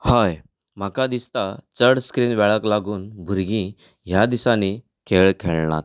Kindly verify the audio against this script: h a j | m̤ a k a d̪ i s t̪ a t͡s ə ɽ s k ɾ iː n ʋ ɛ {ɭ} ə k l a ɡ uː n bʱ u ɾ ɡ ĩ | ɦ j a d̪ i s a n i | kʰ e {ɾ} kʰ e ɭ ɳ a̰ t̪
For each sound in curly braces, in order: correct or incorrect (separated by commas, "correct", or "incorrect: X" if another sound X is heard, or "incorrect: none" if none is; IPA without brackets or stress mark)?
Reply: correct, incorrect: ɭ